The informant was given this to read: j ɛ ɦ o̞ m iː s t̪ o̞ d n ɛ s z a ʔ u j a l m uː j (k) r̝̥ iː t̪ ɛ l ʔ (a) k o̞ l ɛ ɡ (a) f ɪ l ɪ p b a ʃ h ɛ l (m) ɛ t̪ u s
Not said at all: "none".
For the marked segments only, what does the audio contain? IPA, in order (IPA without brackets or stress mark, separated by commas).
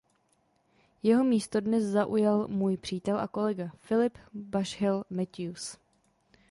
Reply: p, a, a, m